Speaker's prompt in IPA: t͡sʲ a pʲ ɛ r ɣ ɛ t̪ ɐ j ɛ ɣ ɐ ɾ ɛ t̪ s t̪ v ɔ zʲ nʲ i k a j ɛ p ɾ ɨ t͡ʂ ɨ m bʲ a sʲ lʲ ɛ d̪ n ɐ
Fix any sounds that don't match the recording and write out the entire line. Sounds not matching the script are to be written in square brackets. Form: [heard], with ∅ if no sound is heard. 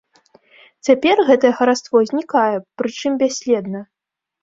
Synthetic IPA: t͡sʲ a pʲ ɛ r ɣ ɛ t̪ ɐ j ɛ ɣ ɐ ɾ [a] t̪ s t̪ v ɔ zʲ nʲ i k a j ɛ p ɾ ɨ t͡ʂ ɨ m bʲ a sʲ lʲ ɛ d̪ n ɐ